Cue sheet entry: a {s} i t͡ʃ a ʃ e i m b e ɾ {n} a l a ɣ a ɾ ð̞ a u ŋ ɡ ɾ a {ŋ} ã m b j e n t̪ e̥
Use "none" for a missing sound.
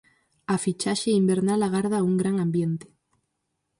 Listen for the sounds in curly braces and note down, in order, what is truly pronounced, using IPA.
f, n, ŋ

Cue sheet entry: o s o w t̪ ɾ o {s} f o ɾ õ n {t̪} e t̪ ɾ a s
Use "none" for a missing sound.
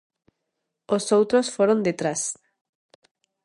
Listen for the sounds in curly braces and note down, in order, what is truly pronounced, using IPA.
s, d̪

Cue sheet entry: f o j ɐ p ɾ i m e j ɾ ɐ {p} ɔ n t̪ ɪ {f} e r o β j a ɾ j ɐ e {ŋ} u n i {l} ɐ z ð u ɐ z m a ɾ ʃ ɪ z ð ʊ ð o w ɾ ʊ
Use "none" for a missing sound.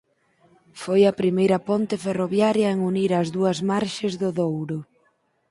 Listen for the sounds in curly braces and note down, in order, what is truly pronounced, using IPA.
p, f, ŋ, ɾ

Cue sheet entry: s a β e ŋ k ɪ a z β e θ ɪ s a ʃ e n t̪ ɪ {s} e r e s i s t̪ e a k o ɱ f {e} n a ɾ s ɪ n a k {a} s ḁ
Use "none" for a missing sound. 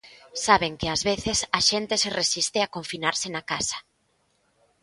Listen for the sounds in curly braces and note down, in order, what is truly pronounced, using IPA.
s, i, a

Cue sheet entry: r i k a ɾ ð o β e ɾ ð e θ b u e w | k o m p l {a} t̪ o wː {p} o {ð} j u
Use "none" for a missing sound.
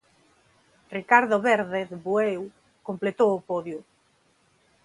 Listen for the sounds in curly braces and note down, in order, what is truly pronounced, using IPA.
e, p, ð

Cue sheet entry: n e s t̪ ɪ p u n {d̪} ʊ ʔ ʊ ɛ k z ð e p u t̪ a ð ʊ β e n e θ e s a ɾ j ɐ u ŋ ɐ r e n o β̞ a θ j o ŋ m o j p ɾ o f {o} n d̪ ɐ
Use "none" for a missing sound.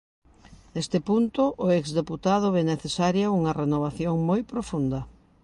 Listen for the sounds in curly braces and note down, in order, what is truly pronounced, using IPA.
t̪, u

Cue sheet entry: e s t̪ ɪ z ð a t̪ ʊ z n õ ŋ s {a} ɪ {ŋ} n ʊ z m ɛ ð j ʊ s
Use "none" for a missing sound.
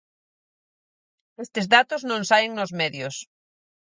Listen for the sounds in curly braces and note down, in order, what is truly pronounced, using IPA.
a, ŋ

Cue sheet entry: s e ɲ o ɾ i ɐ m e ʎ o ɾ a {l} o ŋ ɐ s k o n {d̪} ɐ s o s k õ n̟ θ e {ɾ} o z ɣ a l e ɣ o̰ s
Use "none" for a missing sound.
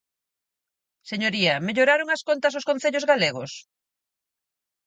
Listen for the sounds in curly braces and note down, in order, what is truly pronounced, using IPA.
ɾ, t̪, ʎ

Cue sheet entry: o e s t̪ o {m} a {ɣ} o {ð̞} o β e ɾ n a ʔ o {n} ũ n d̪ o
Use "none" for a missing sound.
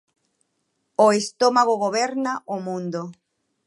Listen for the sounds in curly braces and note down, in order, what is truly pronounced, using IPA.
m, ɣ, ɣ̞, m

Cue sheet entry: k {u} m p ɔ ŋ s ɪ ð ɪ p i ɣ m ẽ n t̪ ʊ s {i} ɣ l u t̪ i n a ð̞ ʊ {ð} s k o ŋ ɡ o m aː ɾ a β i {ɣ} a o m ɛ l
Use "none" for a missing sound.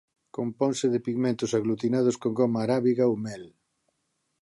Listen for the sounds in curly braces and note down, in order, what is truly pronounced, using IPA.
o, a, none, ɣ

